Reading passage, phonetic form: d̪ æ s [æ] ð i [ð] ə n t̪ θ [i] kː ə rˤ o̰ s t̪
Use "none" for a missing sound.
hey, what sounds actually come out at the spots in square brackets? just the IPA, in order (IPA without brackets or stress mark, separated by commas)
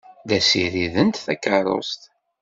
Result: i, ð, æ